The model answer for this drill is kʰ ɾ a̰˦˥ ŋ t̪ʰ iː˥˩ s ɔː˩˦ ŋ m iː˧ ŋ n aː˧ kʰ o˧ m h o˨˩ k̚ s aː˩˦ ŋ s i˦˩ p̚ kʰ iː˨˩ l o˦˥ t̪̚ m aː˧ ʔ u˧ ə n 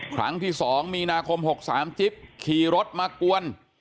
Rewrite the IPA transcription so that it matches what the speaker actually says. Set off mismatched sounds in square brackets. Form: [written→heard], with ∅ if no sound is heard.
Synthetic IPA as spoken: kʰ ɾ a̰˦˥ ŋ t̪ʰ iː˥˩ s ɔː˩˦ ŋ m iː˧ [ŋ→∅] n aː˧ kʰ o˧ m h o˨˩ k̚ s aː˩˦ [ŋ→m] s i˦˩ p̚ kʰ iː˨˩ [l→ɾ] o˦˥ t̪̚ m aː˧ [ʔ→k] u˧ ə n